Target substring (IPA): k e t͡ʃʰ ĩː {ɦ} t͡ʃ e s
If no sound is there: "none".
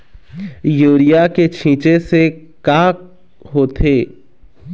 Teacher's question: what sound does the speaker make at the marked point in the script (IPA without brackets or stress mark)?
none